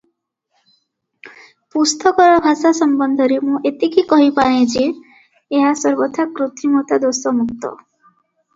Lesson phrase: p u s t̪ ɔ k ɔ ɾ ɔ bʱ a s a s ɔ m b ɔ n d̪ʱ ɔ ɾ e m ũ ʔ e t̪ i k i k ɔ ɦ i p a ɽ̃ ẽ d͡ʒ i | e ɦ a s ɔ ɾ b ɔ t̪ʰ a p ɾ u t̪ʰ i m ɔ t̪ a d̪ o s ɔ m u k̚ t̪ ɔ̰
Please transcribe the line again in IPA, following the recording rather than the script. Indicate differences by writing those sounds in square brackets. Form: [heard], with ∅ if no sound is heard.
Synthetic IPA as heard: p u s t̪ ɔ k ɔ ɾ ɔ bʱ a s a s ɔ m b ɔ n d̪ʱ ɔ ɾ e m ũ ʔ e t̪ i k i k ɔ ɦ i p a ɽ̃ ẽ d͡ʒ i | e ɦ a s ɔ ɾ b ɔ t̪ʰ a [k] ɾ u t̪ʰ i m ɔ t̪ a d̪ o s ɔ m u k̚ t̪ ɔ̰